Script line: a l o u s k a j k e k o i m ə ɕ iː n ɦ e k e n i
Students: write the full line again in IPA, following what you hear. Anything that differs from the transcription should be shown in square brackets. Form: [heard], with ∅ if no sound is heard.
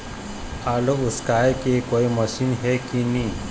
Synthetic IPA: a l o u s k a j k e k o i m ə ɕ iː n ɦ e k [i] n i